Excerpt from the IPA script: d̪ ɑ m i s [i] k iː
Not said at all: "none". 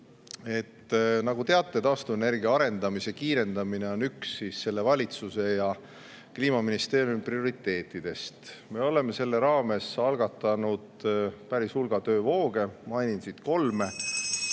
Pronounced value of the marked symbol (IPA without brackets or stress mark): e